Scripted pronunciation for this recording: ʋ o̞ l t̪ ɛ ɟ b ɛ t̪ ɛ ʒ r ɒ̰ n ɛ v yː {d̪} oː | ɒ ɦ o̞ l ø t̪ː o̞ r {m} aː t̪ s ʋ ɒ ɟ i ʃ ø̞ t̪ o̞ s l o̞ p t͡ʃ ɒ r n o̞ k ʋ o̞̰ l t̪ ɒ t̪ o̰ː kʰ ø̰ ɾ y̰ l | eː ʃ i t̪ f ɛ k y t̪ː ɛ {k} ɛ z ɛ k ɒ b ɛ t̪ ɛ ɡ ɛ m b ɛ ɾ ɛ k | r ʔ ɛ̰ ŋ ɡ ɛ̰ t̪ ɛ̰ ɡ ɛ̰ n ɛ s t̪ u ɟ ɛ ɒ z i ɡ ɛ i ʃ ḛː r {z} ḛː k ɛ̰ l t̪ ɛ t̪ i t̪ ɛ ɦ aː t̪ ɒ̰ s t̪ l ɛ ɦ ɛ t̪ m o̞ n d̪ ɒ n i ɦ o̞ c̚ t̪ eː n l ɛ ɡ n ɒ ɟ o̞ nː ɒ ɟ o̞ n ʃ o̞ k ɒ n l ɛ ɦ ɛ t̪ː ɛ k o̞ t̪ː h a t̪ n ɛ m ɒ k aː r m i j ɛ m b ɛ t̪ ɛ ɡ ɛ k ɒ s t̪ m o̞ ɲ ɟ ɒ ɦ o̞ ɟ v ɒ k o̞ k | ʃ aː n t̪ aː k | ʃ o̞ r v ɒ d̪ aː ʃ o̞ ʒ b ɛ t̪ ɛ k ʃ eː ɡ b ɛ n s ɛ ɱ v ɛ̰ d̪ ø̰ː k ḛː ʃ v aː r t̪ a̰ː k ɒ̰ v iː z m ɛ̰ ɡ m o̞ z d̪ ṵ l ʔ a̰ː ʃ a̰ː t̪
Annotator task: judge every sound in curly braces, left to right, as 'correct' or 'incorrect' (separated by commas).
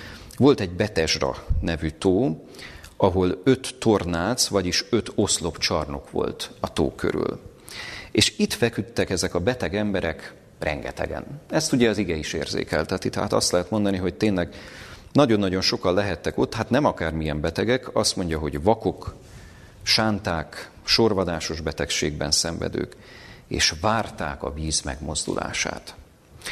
incorrect, incorrect, correct, correct